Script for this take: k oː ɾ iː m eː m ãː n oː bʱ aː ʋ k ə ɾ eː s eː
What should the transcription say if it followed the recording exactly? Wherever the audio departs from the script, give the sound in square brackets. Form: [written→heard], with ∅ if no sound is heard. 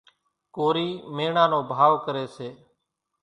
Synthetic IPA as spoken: k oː ɾ iː m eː [m→ɳ] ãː n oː bʱ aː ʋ k ə ɾ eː s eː